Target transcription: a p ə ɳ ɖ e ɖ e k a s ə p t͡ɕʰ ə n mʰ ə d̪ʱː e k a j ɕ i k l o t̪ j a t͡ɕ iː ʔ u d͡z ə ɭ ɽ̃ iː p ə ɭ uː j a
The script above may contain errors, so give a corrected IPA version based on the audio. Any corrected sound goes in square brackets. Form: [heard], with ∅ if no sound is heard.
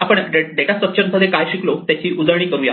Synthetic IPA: a p ə ɳ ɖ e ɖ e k a s ə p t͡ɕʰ ə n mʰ ə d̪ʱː e k a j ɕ i k l o t̪ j a t͡ɕ iː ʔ u d͡z ə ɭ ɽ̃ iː [k] ə [ɾ] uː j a